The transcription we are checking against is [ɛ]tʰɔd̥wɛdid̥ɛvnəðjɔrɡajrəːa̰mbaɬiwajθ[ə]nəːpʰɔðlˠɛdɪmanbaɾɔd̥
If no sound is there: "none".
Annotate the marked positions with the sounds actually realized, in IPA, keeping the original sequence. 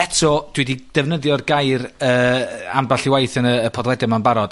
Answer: ɛ, ə

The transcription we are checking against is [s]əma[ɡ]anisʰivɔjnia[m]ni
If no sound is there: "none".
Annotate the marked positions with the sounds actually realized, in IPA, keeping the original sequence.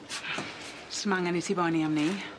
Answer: s, ŋ, m

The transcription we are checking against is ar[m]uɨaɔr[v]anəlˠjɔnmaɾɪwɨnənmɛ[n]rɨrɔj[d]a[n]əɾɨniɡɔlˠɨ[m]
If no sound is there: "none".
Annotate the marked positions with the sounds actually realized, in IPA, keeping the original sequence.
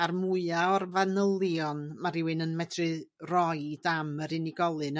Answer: m, v, d, d, m, n

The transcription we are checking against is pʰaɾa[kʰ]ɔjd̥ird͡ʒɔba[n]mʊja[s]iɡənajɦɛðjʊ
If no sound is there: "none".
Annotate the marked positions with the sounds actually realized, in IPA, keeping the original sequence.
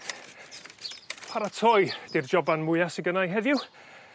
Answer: tʰ, n, s

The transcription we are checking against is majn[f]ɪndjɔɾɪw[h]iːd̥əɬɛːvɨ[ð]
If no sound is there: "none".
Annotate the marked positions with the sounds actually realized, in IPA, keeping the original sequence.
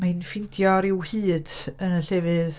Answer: f, h, ð

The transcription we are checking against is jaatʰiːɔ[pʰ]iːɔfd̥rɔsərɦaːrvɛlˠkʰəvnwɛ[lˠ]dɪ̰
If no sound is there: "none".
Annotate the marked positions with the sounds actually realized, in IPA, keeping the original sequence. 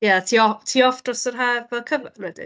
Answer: tʰ, none

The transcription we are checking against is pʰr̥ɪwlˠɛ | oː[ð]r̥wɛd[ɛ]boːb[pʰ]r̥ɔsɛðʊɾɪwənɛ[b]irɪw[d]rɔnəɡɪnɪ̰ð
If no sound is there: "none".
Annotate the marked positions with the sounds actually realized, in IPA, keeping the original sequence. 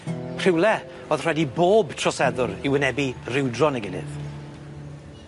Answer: ð, i, tʰ, b, d

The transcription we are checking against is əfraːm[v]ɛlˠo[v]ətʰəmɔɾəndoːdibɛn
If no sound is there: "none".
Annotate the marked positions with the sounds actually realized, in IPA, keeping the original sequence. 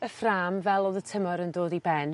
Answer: v, ð

